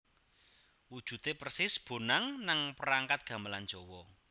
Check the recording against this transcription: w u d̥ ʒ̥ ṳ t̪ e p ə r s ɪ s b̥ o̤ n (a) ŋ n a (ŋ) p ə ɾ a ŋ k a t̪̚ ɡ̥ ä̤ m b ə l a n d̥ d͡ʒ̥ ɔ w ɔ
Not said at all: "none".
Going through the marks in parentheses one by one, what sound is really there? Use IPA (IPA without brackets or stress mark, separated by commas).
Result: a, ŋ